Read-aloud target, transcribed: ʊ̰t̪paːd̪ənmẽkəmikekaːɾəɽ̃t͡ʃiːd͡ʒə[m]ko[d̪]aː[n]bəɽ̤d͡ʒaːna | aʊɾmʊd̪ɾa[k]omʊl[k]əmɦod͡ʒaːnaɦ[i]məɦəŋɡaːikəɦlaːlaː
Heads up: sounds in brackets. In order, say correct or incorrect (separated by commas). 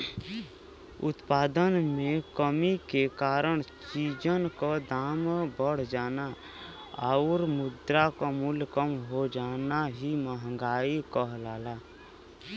incorrect, correct, incorrect, correct, correct, correct